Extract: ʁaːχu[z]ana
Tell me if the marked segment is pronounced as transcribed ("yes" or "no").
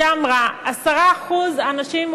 yes